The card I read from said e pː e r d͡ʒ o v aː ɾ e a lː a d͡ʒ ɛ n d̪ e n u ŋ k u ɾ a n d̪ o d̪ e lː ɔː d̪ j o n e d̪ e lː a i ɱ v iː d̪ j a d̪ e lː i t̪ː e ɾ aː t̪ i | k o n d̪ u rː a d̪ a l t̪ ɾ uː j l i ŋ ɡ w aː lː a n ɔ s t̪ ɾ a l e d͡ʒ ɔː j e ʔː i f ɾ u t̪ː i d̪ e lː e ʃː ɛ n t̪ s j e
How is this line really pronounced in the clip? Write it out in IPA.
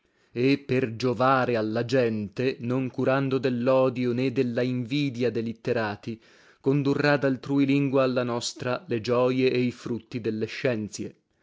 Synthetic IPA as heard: e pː e r d͡ʒ o v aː ɾ e a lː a d͡ʒ ɛ n t̪ e n o ŋ k u ɾ a n d̪ o d̪ e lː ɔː d̪ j o n e d̪ e lː a i ɱ v iː d̪ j a d̪ e l i t̪ː e ɾ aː t̪ i | k o n d̪ u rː a d̪ a l t̪ ɾ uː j l i ŋ ɡ w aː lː a n ɔ s t̪ ɾ a l e d͡ʒ ɔː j e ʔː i f ɾ u t̪ː i d̪ e lː e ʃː ɛ n t̪ s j e